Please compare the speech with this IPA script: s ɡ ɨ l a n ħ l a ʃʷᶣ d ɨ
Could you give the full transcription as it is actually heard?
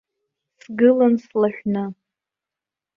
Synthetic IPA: s ɡ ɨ l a n s l a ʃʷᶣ n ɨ